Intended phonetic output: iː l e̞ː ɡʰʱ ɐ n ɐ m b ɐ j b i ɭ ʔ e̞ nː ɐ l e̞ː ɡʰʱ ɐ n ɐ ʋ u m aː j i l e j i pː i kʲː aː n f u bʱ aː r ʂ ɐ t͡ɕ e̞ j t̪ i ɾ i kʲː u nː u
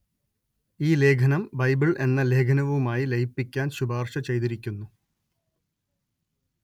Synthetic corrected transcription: iː l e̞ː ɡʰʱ ɐ n ɐ m b ɐ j b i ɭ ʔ e̞ nː ɐ l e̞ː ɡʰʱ ɐ n ɐ ʋ u m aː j i l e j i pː i kʲː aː n ɕ u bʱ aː r ʂ ɐ t͡ɕ e̞ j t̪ i ɾ i kʲː u nː u